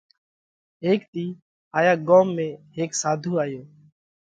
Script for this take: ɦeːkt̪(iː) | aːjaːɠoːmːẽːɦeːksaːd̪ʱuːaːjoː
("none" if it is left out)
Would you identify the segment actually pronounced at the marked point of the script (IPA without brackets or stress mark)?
iː